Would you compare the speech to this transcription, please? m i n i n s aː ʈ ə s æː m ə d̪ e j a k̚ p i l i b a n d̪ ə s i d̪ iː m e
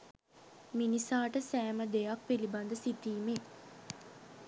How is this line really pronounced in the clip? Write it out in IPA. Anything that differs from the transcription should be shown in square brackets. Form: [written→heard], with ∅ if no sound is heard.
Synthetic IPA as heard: m i n i [n→∅] s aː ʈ ə s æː m ə d̪ e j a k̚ p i l i b a n d̪ ə s i [d̪→t̪] iː m e